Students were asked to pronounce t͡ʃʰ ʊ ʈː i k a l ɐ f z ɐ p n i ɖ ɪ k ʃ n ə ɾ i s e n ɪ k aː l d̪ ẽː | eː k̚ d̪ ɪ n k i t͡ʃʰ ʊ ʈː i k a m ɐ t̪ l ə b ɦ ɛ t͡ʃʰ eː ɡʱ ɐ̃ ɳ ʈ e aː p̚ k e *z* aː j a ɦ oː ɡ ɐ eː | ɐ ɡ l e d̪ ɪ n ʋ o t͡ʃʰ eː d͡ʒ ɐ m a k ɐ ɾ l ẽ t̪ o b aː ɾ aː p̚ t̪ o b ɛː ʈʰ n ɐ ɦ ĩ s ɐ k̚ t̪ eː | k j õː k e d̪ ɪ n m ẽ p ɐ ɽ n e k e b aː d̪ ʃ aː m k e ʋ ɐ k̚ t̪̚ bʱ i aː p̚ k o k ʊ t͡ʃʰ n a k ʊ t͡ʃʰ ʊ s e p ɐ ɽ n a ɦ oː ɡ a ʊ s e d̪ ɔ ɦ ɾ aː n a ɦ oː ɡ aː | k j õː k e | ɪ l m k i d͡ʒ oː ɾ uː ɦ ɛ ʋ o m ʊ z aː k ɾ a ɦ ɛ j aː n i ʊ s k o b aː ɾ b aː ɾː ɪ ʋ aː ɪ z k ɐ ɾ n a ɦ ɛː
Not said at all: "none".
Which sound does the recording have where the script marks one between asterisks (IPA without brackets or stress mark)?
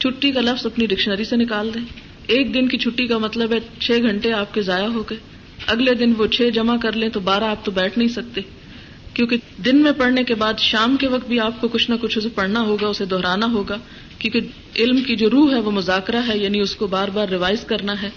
z